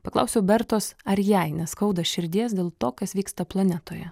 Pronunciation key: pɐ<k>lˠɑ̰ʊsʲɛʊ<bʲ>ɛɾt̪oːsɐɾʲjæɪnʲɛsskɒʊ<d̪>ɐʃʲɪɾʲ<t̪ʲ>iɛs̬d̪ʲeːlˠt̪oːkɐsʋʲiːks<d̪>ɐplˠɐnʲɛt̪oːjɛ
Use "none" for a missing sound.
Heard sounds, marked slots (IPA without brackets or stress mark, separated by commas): k, bʲ, d̪, d̪ʲ, t̪